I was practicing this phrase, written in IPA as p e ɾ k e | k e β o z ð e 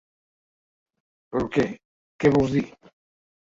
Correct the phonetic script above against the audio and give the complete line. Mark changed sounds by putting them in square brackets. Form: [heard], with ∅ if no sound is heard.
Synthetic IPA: p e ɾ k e | k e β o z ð [i]